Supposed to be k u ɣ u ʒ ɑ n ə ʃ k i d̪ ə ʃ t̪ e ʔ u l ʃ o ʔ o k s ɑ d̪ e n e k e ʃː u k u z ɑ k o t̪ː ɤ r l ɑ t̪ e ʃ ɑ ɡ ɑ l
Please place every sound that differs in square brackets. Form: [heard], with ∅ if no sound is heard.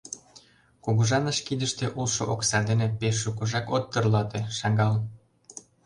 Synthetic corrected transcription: k u ɣ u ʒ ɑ n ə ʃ k i d̪ ə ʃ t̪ e ʔ u l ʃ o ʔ o k s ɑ d̪ e n e [p] e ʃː u k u [ʒ] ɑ k o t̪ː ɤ r l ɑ t̪ e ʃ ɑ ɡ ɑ l